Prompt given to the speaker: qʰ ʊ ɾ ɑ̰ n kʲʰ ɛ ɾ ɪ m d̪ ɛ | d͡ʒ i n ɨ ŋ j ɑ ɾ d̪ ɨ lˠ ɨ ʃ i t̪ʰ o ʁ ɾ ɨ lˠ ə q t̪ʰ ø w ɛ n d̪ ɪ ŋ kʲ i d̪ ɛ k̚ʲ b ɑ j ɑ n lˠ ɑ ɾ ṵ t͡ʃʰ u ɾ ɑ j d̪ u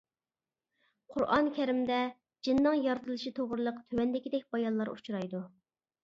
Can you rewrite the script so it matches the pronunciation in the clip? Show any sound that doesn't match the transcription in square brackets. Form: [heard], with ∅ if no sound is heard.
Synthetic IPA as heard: qʰ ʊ ɾ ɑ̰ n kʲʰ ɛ ɾ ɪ m d̪ ɛ | d͡ʒ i [nː] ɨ ŋ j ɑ ɾ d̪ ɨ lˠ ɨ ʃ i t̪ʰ o ʁ ɾ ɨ lˠ ə q t̪ʰ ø w ɛ n d̪ ɪ [∅] kʲ i d̪ ɛ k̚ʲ b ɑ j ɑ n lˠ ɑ ɾ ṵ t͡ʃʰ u ɾ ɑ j d̪ u